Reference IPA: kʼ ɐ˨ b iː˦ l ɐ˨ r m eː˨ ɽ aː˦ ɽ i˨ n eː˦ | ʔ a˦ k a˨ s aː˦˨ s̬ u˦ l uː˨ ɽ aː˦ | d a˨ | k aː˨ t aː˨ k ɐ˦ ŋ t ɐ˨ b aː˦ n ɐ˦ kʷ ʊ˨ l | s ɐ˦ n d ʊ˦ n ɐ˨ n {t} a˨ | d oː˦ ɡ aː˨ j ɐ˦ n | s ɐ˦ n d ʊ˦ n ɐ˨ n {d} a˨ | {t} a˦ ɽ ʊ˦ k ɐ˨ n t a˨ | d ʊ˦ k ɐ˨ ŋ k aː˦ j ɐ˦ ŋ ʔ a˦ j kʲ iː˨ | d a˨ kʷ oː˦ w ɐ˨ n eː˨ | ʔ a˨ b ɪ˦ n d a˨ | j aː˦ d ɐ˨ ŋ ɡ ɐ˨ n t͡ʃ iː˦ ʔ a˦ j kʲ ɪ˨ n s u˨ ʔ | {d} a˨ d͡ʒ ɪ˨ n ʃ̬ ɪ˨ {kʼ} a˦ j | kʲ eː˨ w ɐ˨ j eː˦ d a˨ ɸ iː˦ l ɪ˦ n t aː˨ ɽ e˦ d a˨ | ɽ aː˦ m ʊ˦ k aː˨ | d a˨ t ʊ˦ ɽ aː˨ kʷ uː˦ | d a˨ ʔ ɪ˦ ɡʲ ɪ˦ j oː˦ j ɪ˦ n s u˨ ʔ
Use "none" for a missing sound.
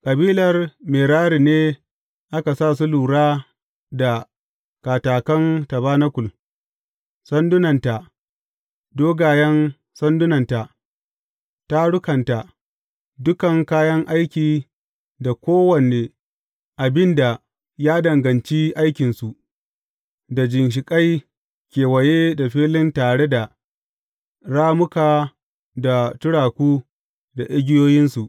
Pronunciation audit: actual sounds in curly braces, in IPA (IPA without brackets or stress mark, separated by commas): t, t, t, d, kʼ